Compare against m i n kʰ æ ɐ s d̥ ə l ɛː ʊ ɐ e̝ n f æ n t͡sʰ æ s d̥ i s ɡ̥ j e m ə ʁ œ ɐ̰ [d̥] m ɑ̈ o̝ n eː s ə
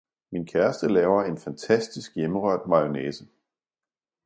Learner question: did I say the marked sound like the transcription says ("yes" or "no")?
yes